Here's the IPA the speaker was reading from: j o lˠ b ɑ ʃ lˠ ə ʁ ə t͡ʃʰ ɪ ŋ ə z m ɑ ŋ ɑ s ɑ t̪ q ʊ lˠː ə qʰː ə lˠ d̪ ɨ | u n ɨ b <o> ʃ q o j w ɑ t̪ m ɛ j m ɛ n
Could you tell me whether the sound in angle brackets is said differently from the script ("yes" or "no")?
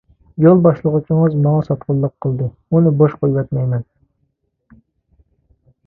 no